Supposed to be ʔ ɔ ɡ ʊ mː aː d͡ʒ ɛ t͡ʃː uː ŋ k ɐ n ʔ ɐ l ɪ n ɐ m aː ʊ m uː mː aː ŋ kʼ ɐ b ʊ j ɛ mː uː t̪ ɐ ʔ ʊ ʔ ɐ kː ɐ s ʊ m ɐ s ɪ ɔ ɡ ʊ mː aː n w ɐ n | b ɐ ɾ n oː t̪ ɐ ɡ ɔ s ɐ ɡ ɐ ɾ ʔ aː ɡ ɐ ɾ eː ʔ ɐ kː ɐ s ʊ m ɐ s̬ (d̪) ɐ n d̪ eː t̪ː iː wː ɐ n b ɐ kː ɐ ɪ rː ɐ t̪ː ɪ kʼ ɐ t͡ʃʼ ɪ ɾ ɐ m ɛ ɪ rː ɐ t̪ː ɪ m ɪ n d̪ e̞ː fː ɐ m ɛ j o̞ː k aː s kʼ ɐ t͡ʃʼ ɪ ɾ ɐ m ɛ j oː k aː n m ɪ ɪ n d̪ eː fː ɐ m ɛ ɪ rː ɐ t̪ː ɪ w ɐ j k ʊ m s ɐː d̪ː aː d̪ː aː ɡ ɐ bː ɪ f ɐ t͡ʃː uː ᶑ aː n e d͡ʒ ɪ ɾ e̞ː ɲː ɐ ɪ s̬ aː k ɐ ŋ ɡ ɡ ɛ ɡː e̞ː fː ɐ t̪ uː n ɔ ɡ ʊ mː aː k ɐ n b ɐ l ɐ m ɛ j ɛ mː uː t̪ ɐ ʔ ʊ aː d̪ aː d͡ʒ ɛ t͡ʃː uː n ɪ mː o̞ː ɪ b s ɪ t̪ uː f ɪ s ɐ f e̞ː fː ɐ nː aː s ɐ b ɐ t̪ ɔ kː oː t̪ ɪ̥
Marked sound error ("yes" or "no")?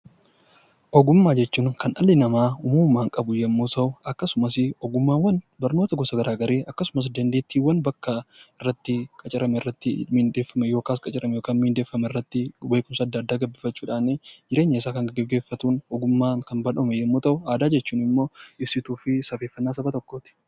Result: no